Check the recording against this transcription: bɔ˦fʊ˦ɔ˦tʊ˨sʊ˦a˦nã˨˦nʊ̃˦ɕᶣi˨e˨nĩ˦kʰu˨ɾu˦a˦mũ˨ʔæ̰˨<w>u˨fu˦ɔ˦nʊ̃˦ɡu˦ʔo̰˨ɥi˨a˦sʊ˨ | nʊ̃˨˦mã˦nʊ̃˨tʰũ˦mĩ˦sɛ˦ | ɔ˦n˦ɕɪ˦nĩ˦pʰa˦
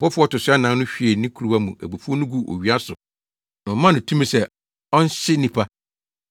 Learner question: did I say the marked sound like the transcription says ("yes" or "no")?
no